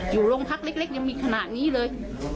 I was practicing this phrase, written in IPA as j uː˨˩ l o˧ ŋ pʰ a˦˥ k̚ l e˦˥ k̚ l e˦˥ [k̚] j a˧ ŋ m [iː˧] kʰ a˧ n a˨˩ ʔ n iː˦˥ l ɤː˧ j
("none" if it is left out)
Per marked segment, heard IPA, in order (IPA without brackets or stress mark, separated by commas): k̚, iː˧